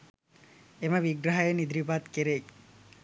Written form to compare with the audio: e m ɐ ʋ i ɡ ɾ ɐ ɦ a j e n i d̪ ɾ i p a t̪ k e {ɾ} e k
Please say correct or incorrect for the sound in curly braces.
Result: correct